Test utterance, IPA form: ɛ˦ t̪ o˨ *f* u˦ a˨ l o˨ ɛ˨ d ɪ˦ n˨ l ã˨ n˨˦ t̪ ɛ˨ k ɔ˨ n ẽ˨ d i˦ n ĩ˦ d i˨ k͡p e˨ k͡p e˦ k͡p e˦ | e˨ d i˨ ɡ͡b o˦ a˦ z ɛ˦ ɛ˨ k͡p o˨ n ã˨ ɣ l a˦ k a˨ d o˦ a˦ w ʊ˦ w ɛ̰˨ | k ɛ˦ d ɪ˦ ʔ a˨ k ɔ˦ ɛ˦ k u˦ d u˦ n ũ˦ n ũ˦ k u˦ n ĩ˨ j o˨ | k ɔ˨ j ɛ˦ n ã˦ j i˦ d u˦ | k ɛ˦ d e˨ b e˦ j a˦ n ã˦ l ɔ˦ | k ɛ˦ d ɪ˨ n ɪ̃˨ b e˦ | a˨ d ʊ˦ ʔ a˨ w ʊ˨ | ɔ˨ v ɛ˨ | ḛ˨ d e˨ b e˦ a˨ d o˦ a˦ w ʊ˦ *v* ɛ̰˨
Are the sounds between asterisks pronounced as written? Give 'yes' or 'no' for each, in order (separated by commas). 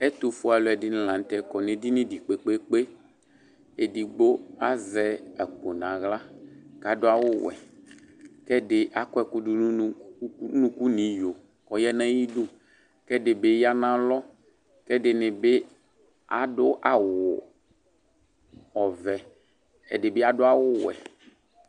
yes, no